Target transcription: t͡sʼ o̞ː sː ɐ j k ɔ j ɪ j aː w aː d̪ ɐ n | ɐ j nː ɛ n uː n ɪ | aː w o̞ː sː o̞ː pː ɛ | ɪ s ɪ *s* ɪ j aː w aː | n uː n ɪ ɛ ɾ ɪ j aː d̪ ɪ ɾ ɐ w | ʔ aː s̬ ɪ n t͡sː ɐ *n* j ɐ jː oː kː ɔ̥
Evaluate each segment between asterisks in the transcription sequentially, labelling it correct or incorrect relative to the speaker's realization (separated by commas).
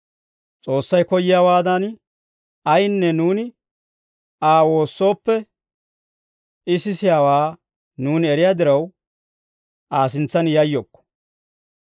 correct, correct